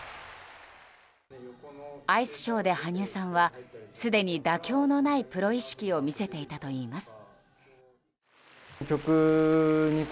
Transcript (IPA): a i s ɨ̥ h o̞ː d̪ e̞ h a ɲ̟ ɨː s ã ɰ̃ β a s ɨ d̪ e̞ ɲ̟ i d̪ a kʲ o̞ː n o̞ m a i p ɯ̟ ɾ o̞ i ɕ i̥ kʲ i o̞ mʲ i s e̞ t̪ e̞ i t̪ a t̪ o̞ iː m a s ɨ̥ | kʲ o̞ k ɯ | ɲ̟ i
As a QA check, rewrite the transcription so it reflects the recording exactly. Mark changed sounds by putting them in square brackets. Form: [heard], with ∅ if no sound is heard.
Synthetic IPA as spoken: a i s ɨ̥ [ɕ] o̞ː d̪ e̞ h a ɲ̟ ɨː s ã ɰ̃ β a s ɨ d̪ e̞ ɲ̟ i d̪ a kʲ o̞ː n o̞ [n] a i p ɯ̟ ɾ o̞ i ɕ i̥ kʲ i o̞ mʲ i s e̞ t̪ e̞ i t̪ a t̪ o̞ iː m a s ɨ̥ | kʲ o̞ k ɯ | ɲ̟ i